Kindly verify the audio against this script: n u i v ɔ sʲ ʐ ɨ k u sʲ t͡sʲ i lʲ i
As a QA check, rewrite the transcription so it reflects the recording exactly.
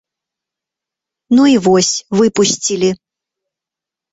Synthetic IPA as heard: n u i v ɔ sʲ v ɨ p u sʲ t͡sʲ i lʲ i

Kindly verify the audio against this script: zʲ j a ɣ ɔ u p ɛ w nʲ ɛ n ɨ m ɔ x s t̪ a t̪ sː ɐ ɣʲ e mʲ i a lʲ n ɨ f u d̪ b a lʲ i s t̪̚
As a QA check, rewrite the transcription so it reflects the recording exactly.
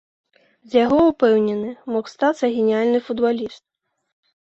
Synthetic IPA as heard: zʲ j a ɣ ɔ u p ɛ w nʲ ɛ n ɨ m ɔ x s t̪ a t̪ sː ɐ ɣʲ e nʲ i a lʲ n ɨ f u d̪ b a lʲ i s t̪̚

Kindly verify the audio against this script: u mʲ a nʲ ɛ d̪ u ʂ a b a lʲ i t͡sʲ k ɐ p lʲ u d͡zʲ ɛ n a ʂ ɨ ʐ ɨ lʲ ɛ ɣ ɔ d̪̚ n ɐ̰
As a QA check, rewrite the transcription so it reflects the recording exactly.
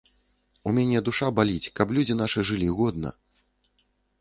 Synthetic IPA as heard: u mʲ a nʲ ɛ d̪ u ʂ a b a lʲ i t͡sʲ k ɐ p lʲ u d͡zʲ i n a ʂ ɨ ʐ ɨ lʲ i ɣ ɔ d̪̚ n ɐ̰

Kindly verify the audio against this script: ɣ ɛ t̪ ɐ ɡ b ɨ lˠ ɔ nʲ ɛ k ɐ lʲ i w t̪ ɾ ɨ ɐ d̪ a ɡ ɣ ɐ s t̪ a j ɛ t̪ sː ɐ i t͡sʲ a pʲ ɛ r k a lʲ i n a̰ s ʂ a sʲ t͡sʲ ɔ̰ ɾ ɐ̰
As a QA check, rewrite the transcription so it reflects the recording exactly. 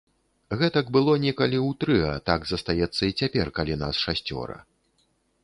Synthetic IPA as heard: ɣ ɛ t̪ ɐ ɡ b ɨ lˠ ɔ nʲ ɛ k ɐ lʲ i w t̪ ɾ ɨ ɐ t̪ a ɡ z ɐ s t̪ a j ɛ t̪ sː ɐ i t͡sʲ a pʲ ɛ r k a lʲ i n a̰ s ʂ a sʲ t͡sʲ ɔ̰ ɾ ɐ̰

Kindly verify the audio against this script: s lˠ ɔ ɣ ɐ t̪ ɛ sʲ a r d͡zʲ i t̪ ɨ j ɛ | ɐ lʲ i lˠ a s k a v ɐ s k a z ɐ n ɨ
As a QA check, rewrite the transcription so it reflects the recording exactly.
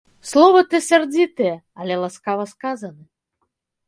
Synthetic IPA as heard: s lˠ ɔ v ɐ t̪ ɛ sʲ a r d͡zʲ i t̪ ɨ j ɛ | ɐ lʲ ɛ lˠ a s k a v ɐ s k a z ɐ n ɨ

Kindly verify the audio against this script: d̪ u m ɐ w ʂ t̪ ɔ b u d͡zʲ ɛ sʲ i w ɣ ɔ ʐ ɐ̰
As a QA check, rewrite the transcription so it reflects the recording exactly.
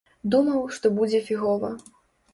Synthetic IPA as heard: d̪ u m ɐ w ʂ t̪ ɔ b u d͡zʲ ɛ fʲ i ɣ ɔ v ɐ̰

